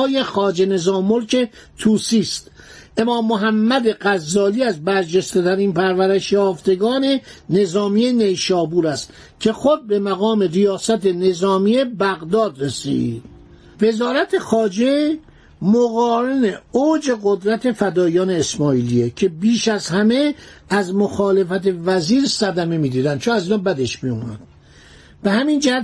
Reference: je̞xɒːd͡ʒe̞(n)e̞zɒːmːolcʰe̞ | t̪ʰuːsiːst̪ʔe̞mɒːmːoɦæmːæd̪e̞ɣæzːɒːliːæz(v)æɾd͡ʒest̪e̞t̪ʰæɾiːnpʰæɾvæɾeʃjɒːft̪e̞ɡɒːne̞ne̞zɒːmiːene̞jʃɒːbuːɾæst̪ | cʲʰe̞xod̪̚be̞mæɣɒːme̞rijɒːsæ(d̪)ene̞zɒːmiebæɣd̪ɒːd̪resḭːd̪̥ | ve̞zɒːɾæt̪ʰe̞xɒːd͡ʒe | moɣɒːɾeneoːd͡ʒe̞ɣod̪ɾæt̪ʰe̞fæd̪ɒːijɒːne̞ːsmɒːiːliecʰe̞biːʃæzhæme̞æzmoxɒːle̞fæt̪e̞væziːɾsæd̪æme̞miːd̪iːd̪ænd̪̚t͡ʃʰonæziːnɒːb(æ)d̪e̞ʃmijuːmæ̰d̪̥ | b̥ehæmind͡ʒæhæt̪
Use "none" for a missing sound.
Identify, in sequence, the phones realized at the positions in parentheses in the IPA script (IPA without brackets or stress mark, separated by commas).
n, b, t̪, æ